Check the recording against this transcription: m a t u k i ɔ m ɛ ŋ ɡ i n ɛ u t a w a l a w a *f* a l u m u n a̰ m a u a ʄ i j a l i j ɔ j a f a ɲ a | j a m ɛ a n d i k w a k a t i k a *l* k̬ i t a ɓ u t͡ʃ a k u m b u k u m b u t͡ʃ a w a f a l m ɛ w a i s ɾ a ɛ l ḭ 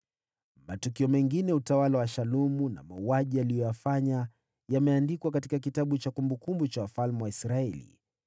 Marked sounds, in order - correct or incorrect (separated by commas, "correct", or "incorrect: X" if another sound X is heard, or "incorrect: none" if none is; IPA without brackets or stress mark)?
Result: incorrect: ʃ, incorrect: none